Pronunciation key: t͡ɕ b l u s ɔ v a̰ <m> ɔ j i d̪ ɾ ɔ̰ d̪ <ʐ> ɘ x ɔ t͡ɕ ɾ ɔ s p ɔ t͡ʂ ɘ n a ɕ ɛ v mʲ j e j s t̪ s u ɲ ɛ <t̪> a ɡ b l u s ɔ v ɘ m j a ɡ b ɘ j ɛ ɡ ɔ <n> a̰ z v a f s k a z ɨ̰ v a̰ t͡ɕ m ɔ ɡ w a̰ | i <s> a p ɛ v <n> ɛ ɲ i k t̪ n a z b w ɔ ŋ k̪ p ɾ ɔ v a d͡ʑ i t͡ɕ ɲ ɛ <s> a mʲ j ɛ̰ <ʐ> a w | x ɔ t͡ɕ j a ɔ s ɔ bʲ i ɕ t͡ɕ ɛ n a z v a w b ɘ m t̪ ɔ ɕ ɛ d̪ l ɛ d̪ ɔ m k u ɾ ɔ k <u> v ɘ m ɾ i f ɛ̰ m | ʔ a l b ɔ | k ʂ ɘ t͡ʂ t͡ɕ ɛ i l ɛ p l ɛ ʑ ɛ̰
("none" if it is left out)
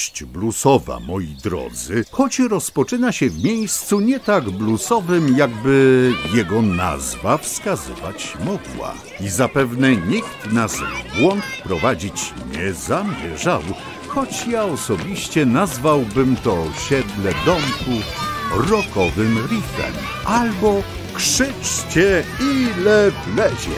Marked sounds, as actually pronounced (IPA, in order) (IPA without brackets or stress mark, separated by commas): m, z, t̪, n, z, n, z, ʐ, ɔ